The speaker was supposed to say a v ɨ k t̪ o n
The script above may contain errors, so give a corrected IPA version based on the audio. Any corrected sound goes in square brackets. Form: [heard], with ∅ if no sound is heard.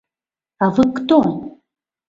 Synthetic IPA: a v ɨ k t̪ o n